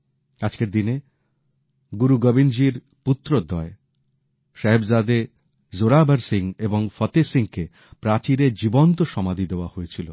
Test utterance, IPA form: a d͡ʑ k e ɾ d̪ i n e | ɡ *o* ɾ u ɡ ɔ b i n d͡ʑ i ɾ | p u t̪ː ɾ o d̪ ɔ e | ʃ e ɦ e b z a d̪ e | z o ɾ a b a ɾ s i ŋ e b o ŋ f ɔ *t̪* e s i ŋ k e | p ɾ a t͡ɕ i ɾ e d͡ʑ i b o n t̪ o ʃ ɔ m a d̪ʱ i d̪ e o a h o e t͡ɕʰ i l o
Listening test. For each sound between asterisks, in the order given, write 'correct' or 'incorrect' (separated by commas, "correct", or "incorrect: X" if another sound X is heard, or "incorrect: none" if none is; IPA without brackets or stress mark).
incorrect: u, correct